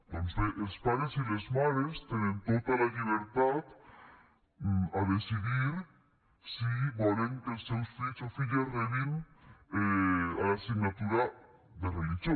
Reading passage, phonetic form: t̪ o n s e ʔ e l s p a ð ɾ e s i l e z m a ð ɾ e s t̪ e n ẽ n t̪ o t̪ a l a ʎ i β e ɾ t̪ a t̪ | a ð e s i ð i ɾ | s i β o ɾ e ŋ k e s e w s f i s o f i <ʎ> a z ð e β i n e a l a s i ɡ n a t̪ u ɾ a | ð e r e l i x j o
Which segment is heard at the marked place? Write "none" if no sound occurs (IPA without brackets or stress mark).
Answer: ʎ